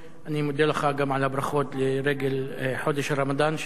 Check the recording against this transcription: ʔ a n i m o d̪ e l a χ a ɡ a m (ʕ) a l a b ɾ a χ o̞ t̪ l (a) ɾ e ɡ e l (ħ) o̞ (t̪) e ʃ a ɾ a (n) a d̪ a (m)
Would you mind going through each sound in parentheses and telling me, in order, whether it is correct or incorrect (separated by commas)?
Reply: correct, incorrect, correct, incorrect, incorrect, incorrect